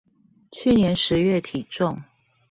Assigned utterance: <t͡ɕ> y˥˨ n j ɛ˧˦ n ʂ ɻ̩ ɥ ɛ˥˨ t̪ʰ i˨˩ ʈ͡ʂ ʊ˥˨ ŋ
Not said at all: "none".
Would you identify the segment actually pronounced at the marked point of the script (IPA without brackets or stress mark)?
t͡ɕʰ